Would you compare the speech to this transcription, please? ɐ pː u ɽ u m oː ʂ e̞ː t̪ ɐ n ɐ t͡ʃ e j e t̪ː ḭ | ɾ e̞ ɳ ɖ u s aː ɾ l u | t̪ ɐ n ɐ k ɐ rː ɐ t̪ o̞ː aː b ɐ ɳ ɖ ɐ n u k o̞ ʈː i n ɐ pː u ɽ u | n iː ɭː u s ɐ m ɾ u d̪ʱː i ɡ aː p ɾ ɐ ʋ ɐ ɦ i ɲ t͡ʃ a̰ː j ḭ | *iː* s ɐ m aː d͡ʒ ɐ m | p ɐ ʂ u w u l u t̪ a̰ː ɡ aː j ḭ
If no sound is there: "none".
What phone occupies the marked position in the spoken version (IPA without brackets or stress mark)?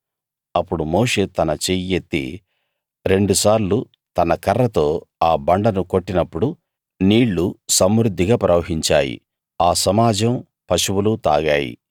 aː